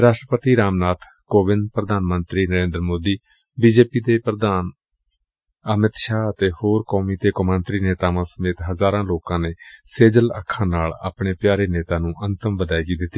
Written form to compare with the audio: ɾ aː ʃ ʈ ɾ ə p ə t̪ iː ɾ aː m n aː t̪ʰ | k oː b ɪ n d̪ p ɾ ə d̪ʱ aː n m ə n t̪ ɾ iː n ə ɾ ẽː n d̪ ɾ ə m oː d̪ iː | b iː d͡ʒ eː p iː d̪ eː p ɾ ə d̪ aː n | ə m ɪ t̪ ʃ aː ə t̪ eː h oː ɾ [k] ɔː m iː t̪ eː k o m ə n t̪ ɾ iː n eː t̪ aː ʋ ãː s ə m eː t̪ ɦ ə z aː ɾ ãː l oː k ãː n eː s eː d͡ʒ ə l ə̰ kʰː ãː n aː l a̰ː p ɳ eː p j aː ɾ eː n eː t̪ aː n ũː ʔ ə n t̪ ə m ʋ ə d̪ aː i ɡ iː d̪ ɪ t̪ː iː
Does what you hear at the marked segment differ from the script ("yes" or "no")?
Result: no